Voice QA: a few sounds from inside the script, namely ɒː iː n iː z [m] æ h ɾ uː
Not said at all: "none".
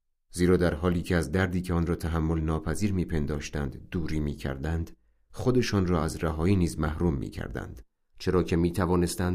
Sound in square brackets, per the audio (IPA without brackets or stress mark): m